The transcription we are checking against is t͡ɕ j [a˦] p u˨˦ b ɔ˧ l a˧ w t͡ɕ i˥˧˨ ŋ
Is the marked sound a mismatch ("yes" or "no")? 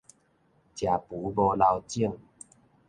yes